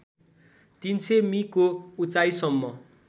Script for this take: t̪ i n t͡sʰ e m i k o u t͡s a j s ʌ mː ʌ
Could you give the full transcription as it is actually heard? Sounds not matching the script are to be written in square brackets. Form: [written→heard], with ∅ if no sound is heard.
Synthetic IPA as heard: t̪ i n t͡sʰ e m i k o u t͡s a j s ʌ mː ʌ